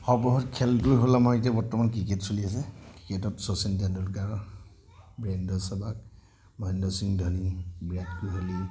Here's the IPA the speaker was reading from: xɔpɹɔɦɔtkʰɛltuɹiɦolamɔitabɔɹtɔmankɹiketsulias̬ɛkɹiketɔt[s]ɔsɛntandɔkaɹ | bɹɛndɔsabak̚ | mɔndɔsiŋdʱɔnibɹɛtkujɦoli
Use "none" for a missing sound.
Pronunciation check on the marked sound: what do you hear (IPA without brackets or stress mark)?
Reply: s